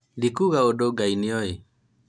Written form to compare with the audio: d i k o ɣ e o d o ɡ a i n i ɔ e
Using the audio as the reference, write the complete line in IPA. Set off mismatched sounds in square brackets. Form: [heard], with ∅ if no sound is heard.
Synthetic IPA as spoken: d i k [u] ɣ [a] o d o ɡ a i n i ɔ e

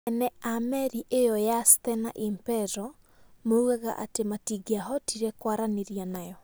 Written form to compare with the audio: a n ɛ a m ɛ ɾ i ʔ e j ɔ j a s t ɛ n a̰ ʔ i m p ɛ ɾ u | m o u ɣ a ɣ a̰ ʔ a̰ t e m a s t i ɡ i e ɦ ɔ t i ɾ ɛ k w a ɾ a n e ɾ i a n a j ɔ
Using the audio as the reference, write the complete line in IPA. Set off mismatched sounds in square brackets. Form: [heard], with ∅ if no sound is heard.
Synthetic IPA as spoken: [ɛ] n ɛ a m ɛ ɾ i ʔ e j ɔ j a s t ɛ n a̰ ʔ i m p ɛ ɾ [ɔ] | m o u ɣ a ɣ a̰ ʔ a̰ t e m a [∅] t i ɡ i [a] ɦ ɔ t i ɾ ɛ k w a ɾ a n e ɾ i a n a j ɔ

